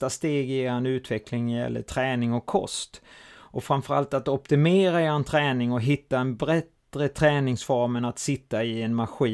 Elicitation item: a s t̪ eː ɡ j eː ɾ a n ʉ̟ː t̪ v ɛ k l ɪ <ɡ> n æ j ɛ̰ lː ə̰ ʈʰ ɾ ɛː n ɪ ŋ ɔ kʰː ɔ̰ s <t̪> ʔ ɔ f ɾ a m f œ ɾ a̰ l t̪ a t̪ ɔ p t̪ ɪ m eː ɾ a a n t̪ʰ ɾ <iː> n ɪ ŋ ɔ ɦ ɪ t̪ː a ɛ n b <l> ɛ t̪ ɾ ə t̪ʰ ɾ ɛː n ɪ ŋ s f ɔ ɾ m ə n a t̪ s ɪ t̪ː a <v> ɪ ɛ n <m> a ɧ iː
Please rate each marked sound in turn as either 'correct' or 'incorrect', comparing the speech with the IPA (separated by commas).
incorrect, correct, incorrect, incorrect, incorrect, correct